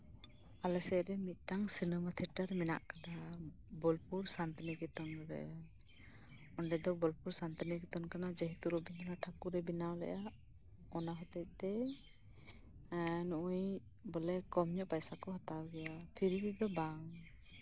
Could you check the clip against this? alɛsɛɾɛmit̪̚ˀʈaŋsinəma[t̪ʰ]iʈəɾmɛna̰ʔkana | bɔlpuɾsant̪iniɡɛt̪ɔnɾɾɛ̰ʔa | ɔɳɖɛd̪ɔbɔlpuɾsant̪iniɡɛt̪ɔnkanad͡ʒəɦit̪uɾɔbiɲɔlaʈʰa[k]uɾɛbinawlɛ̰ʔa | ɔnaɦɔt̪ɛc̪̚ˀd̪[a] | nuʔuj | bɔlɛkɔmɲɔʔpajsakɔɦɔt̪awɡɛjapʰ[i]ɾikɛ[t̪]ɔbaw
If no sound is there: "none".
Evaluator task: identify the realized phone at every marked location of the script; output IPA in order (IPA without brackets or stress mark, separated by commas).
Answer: t̪ʰ, k, ɛ, i, d̪